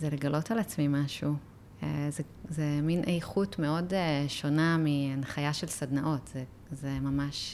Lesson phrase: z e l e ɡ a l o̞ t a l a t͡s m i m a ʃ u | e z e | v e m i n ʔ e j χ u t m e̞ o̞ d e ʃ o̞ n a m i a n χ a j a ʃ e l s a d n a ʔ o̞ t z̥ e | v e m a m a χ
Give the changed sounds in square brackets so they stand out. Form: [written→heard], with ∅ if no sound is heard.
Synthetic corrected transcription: z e l e ɡ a l o̞ t a l a t͡s m i m a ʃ u | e z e | [v→z] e m i n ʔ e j χ u t m e̞ o̞ d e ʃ o̞ n a m i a n χ a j a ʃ e l s a d n a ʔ o̞ t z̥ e | [v→z] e m a m a [χ→ʃ]